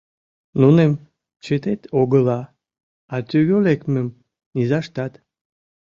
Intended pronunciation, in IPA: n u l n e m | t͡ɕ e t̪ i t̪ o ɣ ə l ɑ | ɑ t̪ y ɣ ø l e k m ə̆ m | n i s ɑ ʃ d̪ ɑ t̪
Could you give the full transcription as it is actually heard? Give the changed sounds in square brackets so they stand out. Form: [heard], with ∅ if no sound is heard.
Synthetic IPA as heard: n u [∅] n e m | t͡ɕ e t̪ [e] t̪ o ɣ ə l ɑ | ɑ t̪ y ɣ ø l e k m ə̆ m | n i [z] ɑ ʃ [t̪] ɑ t̪